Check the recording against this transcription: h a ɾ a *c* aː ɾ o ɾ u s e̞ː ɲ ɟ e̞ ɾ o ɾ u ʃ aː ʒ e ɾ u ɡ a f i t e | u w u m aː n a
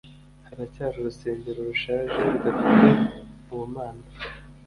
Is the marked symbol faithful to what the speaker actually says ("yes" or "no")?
yes